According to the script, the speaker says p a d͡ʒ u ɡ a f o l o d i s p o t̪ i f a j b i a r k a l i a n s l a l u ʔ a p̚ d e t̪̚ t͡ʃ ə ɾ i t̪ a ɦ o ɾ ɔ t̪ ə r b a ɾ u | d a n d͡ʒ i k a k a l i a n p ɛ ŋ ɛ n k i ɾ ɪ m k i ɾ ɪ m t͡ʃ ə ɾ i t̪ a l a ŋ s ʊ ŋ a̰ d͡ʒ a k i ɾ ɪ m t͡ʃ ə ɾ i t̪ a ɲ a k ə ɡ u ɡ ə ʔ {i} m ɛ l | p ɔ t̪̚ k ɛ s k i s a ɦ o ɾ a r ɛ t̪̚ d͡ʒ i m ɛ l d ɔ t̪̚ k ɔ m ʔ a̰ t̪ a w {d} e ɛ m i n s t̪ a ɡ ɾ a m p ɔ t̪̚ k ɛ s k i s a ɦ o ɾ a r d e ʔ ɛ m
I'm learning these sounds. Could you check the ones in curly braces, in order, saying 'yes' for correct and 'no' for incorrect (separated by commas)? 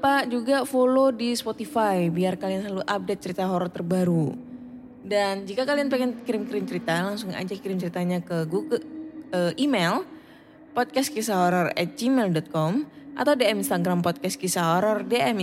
yes, yes